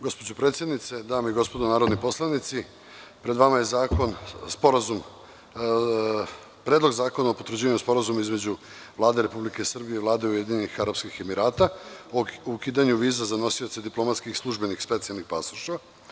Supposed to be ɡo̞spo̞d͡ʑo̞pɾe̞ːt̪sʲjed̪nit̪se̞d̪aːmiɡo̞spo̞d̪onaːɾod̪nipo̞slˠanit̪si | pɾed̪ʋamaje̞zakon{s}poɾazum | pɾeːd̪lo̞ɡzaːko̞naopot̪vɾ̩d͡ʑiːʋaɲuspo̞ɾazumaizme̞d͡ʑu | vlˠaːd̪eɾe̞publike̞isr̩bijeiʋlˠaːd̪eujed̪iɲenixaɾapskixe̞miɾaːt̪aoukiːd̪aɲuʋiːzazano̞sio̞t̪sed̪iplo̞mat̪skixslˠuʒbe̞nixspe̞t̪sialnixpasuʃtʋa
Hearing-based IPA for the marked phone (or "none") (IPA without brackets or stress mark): s